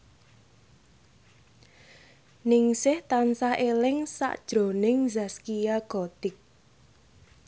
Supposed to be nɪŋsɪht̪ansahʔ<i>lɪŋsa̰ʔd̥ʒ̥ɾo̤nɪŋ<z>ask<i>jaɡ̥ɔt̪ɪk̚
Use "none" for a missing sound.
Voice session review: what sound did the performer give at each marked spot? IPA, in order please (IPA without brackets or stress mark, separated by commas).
e, z, i